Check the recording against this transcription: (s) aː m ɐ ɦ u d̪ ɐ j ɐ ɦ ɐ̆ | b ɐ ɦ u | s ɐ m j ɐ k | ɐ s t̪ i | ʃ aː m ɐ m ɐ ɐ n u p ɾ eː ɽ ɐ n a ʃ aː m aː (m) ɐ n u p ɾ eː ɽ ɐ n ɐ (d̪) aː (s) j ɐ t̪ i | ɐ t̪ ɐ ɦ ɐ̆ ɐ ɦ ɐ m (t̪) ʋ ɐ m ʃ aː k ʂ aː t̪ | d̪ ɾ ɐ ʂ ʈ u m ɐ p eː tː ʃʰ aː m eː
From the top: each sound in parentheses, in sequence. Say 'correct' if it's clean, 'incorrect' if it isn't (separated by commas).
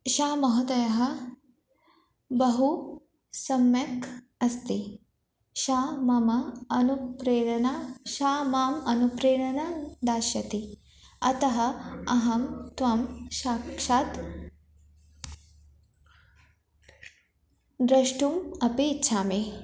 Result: incorrect, correct, correct, incorrect, correct